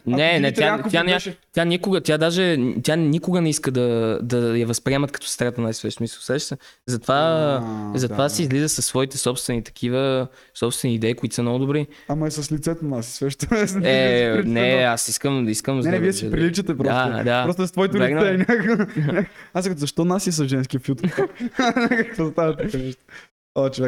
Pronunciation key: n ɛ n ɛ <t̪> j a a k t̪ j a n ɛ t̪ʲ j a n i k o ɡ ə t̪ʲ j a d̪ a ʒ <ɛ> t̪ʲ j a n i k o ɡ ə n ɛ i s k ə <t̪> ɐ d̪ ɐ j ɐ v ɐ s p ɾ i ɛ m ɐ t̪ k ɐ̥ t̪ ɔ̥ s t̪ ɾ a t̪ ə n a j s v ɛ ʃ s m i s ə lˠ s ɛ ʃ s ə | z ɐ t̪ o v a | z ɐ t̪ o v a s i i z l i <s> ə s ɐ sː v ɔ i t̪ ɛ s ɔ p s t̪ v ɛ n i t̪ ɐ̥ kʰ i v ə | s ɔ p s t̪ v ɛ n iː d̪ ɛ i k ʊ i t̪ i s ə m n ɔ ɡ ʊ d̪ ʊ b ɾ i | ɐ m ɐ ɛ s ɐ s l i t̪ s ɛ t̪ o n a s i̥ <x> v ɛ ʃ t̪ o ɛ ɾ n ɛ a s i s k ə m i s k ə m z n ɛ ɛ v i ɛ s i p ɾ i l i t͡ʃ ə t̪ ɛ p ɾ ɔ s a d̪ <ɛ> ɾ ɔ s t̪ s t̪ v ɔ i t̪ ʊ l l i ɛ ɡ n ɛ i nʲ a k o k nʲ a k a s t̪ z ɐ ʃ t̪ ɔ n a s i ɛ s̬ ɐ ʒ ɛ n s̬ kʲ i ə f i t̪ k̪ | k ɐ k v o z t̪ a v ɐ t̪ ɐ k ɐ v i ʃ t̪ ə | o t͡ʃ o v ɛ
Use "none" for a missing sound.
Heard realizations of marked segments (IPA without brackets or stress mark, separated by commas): t̪, ɛ, d̪, z, s, a